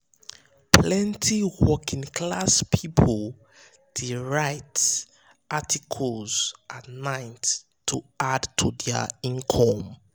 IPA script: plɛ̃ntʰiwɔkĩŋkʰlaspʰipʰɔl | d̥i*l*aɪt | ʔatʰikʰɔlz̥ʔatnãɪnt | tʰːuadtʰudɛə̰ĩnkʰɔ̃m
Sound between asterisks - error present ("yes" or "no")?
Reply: yes